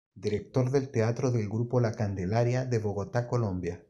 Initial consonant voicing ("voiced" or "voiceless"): voiced